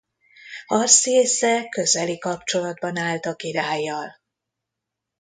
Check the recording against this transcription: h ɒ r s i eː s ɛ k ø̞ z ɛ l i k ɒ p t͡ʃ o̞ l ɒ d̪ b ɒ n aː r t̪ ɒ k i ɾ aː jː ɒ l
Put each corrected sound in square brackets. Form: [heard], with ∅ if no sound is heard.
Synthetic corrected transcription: h ɒ r s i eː s ɛ k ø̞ z ɛ l i k ɒ p t͡ʃ o̞ l ɒ d̪ b ɒ n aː [l] t̪ ɒ k i ɾ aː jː ɒ l